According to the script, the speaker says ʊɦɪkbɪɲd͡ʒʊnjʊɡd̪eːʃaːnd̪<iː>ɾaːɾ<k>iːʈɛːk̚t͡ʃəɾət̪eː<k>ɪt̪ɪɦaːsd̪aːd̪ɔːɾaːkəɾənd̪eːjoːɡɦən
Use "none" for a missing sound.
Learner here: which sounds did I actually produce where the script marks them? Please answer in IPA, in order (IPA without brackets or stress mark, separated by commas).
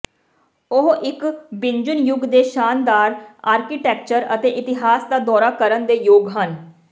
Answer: aː, k, ʔ